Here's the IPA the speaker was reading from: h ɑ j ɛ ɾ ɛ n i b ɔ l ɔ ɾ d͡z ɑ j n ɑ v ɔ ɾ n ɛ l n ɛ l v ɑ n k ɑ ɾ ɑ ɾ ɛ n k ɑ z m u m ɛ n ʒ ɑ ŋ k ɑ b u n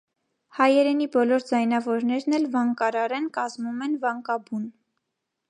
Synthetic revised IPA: h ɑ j ɛ ɾ ɛ n i b ɔ l ɔ ɾ d͡z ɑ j n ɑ v ɔ ɾ n ɛ ɾ n ɛ l v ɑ ŋ k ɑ ɾ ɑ ɾ ɛ n k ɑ z m u m ɛ n v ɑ ŋ k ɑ b u n